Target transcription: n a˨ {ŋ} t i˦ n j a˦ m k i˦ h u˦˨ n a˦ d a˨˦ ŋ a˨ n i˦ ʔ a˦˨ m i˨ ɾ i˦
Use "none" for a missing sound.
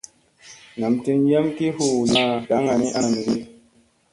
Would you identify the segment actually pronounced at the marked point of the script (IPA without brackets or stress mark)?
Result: m